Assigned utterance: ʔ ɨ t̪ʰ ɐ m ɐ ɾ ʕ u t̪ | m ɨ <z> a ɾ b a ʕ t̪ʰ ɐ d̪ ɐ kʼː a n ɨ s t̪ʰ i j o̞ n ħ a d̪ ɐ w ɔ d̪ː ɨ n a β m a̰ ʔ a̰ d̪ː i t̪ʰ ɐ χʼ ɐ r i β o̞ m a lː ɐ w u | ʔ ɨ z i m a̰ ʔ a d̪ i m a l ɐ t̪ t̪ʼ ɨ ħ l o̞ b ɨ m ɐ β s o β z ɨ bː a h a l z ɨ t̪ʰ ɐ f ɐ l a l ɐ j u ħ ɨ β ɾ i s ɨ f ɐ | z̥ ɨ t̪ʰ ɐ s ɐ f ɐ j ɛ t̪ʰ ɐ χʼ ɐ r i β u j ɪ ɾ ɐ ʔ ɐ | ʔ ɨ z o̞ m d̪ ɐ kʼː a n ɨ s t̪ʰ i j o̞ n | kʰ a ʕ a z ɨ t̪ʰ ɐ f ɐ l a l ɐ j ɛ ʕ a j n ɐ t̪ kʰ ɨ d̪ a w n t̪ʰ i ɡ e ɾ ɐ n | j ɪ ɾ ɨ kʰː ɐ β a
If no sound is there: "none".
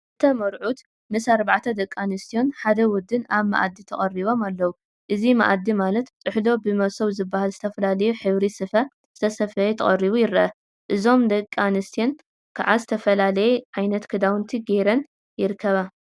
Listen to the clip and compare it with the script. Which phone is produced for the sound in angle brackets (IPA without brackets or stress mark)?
s